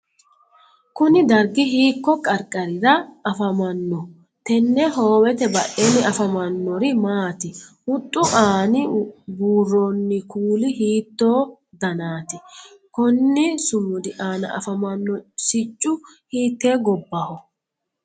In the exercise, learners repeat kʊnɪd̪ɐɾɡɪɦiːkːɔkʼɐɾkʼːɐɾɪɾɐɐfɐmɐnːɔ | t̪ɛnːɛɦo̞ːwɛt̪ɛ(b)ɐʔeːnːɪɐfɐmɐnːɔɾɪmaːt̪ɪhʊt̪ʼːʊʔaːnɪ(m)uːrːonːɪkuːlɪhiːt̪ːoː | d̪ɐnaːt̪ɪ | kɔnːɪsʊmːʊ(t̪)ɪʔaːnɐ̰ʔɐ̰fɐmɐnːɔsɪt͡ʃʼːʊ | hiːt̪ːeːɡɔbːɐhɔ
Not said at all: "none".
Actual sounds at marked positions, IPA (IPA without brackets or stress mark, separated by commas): b, b, d̪